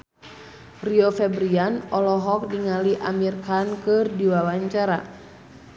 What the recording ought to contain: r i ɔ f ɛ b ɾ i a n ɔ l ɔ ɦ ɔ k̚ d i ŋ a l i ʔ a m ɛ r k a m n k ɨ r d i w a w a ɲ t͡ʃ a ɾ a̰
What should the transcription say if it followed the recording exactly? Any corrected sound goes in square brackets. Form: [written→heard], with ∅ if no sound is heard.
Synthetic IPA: r i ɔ f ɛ b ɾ i a n ɔ l ɔ ɦ ɔ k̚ d i ŋ a l i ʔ a m [ɛ→i] r k a [m→∅] n k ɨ r d i w a w a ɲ t͡ʃ a ɾ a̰